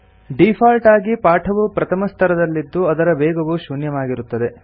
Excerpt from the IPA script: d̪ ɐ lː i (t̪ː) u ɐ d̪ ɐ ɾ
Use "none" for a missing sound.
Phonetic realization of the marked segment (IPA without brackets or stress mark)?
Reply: d̪ː